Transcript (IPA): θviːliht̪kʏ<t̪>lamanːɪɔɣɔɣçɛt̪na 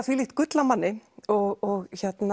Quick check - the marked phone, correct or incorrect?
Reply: correct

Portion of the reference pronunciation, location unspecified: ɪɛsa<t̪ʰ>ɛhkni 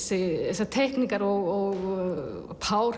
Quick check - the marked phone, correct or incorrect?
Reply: correct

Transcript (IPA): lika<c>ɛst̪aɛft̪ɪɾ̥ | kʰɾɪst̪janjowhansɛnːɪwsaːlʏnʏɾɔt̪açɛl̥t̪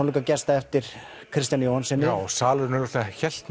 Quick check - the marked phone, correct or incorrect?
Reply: correct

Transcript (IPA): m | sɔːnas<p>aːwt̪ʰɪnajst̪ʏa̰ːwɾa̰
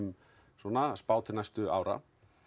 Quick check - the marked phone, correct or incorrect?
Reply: correct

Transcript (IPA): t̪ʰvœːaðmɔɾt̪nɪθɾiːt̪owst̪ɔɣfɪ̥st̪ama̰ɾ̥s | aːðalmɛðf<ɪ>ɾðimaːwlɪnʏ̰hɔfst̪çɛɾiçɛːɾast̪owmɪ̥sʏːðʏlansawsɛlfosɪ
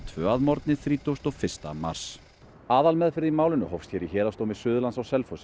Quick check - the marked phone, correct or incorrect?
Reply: correct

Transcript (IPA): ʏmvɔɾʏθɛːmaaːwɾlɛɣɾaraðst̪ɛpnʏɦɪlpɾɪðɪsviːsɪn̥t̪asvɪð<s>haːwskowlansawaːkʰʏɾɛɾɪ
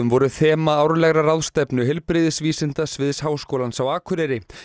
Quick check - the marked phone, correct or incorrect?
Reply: correct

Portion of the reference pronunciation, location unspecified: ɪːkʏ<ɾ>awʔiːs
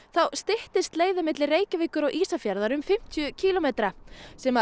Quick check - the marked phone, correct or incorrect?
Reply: correct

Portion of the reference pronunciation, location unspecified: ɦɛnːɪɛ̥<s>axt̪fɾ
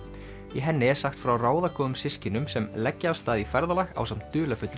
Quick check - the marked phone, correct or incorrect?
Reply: correct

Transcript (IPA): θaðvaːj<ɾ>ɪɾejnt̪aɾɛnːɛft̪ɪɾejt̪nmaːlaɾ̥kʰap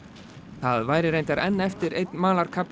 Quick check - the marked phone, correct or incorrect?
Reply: correct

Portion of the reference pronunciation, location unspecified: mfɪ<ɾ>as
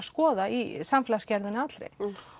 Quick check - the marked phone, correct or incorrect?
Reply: incorrect: l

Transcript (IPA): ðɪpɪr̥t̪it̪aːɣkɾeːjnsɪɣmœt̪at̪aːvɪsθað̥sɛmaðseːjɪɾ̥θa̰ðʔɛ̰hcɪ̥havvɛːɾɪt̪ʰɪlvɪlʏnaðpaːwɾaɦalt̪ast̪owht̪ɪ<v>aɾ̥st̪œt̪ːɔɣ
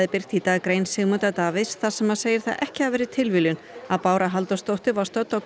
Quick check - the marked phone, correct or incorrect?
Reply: correct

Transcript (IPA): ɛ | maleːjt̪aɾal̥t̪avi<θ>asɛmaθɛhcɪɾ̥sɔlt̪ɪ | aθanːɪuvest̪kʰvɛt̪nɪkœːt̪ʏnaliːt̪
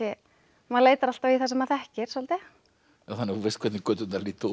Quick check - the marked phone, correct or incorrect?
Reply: correct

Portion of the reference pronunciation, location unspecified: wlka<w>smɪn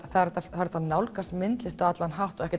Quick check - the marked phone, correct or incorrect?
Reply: incorrect: none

